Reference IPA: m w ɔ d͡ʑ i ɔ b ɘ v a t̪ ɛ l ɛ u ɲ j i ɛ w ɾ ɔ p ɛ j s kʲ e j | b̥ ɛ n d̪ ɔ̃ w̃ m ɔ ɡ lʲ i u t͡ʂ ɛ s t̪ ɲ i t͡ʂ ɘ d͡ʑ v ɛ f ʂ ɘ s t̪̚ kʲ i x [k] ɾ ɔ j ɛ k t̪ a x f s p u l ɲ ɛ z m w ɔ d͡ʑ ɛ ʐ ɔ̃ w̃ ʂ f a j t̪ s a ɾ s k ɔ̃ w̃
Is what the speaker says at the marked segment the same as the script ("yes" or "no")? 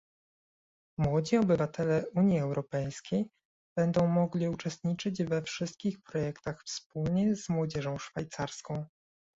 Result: no